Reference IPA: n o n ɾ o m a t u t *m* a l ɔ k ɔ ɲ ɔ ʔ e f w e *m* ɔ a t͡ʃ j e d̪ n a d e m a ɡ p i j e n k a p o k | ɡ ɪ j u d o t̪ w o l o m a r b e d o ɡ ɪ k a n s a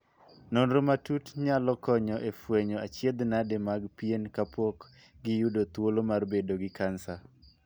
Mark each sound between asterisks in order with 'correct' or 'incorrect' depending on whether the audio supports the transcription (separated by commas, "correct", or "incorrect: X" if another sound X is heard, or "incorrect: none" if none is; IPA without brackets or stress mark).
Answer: incorrect: ɲ, incorrect: ɲ